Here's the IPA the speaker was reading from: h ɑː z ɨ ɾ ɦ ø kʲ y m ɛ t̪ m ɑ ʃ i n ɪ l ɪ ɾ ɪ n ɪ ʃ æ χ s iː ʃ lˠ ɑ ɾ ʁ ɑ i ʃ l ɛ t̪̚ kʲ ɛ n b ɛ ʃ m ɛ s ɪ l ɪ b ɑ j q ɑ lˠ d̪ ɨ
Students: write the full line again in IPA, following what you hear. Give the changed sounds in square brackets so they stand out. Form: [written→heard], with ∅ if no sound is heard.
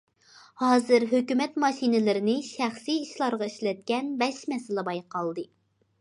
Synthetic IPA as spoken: h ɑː z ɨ ɾ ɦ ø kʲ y m ɛ t̪ m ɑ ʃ i n ɪ l ɪ ɾ ɪ n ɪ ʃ æ χ s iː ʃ lˠ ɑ ɾ ʁ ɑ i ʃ l ɛ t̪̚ kʲ ɛ n b ɛ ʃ m ɛ s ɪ l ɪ b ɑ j q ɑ lˠ d̪ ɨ